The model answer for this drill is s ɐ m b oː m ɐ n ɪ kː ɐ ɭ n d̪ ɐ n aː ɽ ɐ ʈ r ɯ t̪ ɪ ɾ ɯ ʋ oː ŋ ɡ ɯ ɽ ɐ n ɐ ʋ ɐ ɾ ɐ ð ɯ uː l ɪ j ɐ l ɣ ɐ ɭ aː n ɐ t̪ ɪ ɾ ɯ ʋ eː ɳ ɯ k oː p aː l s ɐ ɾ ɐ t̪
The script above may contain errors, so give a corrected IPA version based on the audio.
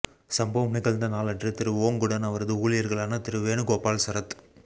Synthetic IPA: s ɐ m b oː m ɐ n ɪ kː ɐ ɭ n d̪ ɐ n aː l ɐ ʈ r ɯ t̪ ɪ ɾ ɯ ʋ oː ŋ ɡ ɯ ɽ ɐ n ɐ ʋ ɐ ɾ ɐ ð ɯ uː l ɪ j ɐ ɾ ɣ ɐ ɭ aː n ɐ t̪ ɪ ɾ ɯ ʋ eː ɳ ɯ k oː p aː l s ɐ ɾ ɐ t̪